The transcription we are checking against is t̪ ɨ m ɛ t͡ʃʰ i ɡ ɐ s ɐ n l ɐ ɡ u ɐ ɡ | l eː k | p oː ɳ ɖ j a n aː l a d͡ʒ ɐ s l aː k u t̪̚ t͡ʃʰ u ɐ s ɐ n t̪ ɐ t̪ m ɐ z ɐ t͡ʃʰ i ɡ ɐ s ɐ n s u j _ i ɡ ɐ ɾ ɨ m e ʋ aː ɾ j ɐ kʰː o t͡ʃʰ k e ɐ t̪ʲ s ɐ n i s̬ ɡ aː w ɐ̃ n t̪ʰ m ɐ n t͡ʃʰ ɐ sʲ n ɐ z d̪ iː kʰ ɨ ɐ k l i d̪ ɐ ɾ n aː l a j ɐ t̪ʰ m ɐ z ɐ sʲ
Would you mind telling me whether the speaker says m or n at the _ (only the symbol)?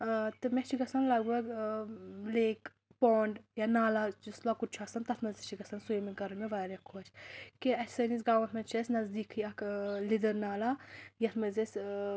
m